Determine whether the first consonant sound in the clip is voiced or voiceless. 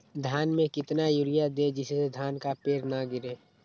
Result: voiced